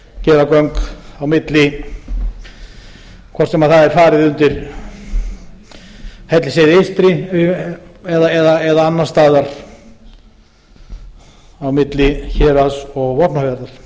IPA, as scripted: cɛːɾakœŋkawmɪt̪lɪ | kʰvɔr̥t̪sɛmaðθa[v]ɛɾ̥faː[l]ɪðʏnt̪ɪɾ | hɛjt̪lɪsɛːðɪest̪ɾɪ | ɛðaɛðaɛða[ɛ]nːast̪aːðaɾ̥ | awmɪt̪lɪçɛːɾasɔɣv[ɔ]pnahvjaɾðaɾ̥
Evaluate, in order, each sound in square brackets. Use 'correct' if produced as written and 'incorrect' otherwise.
incorrect, incorrect, incorrect, correct

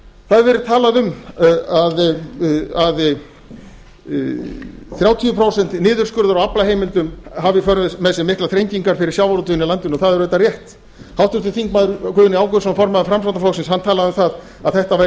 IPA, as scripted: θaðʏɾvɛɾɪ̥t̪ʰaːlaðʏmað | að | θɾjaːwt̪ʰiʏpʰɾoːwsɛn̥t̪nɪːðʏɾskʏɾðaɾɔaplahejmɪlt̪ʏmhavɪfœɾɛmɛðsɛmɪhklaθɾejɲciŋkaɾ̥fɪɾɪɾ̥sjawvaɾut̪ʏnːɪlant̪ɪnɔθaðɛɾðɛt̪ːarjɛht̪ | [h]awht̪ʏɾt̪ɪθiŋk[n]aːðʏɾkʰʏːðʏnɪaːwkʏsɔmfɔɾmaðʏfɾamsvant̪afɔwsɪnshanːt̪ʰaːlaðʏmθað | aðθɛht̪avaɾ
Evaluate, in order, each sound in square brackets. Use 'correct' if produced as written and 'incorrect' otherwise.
correct, incorrect

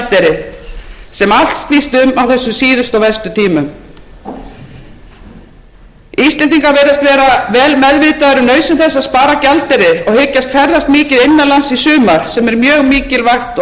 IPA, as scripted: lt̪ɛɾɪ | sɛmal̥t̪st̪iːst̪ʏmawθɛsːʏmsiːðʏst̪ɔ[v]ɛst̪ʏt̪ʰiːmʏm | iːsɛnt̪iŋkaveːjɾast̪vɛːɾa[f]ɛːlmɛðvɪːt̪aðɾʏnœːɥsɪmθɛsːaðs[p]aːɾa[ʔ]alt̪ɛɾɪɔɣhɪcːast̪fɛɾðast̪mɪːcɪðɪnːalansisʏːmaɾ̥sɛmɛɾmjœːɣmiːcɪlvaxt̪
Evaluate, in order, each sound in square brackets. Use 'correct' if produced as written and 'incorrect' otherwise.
correct, incorrect, correct, incorrect

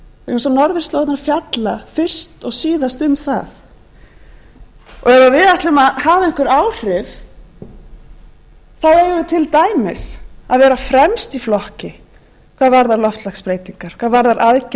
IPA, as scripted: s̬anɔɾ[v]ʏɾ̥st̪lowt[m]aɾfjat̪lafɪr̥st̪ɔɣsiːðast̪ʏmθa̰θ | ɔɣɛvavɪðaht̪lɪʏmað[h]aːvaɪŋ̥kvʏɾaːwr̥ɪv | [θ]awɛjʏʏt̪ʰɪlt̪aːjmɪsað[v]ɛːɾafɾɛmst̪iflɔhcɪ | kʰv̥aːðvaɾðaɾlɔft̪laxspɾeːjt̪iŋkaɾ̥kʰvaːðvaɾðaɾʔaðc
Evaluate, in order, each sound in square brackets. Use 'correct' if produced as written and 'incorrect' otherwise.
incorrect, incorrect, correct, correct, correct

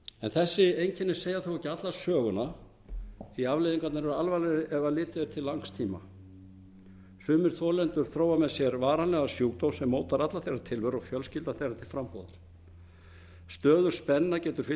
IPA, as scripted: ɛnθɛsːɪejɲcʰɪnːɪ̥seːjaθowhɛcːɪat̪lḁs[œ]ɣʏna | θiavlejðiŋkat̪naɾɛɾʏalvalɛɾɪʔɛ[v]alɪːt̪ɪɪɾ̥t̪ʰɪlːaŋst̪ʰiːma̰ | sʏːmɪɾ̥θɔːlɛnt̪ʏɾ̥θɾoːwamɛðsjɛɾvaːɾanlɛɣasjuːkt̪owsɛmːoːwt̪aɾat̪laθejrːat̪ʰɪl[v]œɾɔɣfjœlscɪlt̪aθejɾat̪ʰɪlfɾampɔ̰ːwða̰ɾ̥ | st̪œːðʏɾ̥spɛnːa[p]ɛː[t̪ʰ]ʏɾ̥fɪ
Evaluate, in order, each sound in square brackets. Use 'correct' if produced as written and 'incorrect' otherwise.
incorrect, correct, correct, incorrect, incorrect

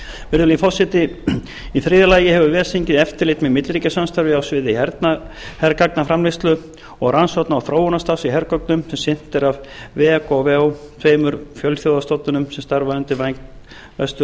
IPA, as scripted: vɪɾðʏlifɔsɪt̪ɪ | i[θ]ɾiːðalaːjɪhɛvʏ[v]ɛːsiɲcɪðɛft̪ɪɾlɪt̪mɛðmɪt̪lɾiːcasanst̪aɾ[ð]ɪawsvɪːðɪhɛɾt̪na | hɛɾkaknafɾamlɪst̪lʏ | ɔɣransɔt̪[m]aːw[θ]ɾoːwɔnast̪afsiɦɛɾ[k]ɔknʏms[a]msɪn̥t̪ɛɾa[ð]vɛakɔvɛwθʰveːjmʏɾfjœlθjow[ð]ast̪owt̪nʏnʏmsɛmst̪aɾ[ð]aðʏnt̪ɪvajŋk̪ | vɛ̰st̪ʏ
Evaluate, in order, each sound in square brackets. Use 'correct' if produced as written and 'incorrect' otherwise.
correct, correct, incorrect, incorrect, correct, correct, incorrect, incorrect, correct, incorrect

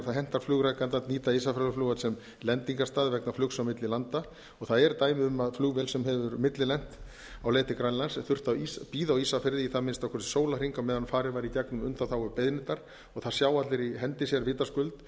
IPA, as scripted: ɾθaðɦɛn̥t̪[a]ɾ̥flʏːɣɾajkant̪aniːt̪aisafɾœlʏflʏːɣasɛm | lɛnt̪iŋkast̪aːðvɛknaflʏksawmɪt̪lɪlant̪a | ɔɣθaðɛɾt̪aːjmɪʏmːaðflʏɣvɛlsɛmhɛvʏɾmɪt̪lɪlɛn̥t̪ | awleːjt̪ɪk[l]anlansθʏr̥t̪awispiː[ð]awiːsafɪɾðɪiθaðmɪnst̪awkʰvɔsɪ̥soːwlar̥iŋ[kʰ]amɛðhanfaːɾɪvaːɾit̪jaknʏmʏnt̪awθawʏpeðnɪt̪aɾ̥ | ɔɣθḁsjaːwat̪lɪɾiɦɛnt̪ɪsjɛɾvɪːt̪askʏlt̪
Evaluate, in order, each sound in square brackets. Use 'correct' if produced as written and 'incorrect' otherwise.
correct, incorrect, correct, incorrect

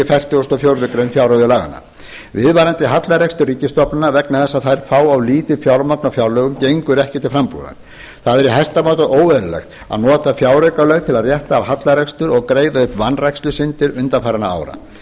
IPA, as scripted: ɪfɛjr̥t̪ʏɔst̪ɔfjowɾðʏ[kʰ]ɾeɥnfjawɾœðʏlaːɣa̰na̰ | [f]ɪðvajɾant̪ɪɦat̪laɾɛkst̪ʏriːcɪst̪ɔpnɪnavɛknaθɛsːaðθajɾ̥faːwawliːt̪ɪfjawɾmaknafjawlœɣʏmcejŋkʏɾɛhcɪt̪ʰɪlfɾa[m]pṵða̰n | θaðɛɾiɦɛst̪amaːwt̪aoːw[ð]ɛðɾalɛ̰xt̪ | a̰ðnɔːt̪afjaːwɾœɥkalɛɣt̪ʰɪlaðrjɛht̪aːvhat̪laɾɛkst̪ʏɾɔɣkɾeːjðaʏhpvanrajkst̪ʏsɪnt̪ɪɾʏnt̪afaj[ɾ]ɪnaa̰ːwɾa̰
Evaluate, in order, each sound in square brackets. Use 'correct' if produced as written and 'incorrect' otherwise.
incorrect, incorrect, correct, incorrect, correct

